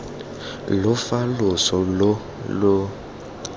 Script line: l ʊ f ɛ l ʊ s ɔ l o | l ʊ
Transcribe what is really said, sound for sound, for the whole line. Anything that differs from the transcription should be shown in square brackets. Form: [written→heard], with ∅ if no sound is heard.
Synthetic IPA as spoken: l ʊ f [ɛ→a] l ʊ s ɔ l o | l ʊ